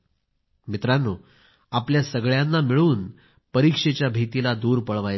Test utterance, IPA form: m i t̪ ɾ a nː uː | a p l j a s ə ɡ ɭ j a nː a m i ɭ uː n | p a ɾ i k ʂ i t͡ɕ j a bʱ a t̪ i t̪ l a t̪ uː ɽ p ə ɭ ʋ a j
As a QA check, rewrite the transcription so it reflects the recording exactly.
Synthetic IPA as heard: m i t̪ ɾ a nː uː | a p l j a s ə ɡ ɭ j a nː a m i ɭ uː n | p ə ɾ i k ʂ e t͡ɕ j a bʱ i t̪ i l a d̪ uː ɾ p ə ɭ ʋ a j

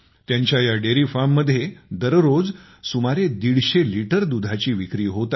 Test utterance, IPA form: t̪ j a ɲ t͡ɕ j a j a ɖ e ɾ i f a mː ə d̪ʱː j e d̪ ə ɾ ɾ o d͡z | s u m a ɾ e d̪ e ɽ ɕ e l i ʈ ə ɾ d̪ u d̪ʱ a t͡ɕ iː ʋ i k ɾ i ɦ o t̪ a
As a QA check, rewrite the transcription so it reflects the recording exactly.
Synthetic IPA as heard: t̪ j a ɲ t͡ɕ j a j a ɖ e ɾ i f a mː ə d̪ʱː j e d̪ ə ɾ ɾ o d͡z | s u m a ɾ e d̪ i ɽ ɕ e l i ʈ ə ɾ d̪ u d̪ʱ a t͡ɕ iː ʋ i k ɾ iː ɦ o t̪ a

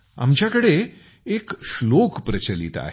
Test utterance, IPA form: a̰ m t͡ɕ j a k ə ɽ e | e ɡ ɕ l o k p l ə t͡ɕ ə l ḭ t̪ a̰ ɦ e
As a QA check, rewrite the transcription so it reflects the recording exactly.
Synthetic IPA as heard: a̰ m t͡ɕ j a k ə ɽ e | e k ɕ l o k p ɾ ə t͡ɕ ə l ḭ t̪ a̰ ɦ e

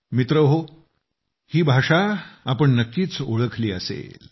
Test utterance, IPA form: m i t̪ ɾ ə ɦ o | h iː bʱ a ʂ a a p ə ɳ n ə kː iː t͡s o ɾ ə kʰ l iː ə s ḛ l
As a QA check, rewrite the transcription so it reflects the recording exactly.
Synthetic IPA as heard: m i t̪ ɾ ə ɦ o | h iː bʱ a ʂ a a p ə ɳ n ə kː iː t͡s o ɭ ə kʰ l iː ə s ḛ l

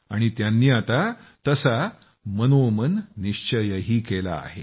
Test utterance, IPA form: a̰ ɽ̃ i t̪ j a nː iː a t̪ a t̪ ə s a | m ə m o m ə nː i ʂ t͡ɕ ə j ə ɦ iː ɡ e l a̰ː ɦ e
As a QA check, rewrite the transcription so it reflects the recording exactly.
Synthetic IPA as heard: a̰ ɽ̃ i t̪ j a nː iː a t̪ a t̪ ə s a | m ə n o m ə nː i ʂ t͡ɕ ə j ə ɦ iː k e l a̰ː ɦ e

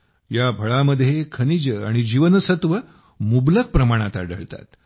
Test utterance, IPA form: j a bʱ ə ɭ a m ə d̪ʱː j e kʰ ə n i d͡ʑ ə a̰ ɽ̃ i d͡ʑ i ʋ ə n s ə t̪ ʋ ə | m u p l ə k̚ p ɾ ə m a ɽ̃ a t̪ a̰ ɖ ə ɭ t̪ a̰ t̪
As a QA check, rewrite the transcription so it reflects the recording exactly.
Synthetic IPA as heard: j a bʱ ə ɭ a m ə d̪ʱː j e kʰ ə n i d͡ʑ ə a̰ ɽ̃ i d͡ʑ i ʋ ə n s ə t̪ ʋ ə | m u b l ə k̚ p ɾ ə m a ɽ̃ a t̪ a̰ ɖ ə ɭ t̪ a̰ t̪

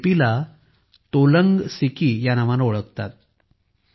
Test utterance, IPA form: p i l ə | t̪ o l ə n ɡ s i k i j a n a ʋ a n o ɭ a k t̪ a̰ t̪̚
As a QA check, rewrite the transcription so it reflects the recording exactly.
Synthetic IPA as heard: p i l a | t̪ o l ə ŋ ɡ s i k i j a n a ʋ a n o ɭ ə k t̪ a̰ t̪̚

